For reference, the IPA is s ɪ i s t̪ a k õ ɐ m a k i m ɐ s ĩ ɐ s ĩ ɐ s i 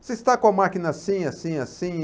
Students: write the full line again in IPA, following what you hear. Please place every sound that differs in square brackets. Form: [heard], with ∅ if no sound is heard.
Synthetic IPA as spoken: s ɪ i s t̪ a k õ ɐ m a k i [n] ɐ s ĩ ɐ s ĩ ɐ s [ĩ]